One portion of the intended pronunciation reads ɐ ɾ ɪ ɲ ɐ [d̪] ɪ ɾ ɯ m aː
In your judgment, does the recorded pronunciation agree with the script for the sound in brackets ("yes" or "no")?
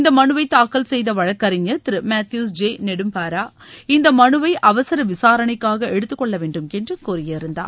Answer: no